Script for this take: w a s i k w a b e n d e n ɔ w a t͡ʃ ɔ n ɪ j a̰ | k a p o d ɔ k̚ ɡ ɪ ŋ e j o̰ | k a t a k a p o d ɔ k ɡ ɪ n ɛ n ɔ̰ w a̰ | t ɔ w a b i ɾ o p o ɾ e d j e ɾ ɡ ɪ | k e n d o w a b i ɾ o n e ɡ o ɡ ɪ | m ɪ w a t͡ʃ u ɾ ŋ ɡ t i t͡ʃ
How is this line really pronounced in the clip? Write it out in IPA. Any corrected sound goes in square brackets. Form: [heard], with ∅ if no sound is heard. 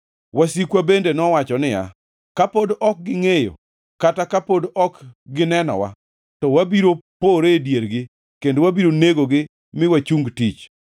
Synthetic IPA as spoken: w a s i k w a b e n d e n ɔ w a t͡ʃ ɔ n ɪ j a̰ | k a p o d ɔ k̚ ɡ ɪ ŋ e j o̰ | k a t a k a p o d ɔ k ɡ ɪ n ɛ n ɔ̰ w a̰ | t ɔ w a b i ɾ o p o ɾ e d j e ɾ ɡ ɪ | k e n d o w a b i ɾ o n e ɡ o ɡ ɪ | m ɪ w a t͡ʃ u [∅] ŋ ɡ t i t͡ʃ